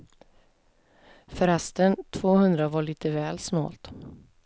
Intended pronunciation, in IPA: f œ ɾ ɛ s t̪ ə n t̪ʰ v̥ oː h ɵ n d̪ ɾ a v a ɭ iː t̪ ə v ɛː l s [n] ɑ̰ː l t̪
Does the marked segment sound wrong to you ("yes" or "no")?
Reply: yes